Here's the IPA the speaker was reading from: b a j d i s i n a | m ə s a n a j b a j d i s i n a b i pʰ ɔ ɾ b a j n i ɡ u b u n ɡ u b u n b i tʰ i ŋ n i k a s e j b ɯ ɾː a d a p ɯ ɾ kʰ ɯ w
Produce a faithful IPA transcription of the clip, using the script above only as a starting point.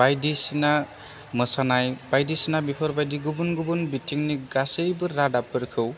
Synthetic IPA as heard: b a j d i s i n a | m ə s a n a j b a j d i s i n a b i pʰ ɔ ɾ b a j d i ɡ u b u n ɡ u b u n b i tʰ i ŋ n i ɡ a s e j b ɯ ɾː a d a p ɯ ɾ kʰ ɯ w